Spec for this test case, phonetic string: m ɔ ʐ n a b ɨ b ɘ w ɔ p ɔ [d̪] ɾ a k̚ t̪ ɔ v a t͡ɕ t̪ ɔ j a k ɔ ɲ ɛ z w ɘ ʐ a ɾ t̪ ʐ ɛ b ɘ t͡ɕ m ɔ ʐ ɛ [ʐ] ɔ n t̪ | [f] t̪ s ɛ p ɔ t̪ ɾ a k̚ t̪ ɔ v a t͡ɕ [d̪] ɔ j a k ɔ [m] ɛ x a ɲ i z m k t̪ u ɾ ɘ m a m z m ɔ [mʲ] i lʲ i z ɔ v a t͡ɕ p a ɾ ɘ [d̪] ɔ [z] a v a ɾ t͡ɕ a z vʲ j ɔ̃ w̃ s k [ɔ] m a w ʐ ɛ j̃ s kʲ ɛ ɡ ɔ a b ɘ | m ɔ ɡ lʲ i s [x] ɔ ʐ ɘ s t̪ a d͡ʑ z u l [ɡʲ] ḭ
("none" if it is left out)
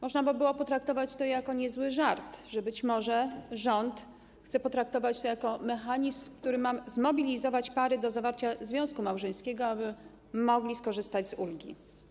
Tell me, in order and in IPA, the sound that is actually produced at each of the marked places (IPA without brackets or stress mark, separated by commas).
t̪, ʐ, x, t̪, m, bʲ, d̪, z, u, k, ɡʲ